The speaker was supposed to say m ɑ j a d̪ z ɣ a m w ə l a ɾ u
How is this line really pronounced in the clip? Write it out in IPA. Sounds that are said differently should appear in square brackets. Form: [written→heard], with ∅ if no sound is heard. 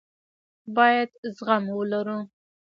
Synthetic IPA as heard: [m→b] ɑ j a d̪ z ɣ a m w ə l a ɾ u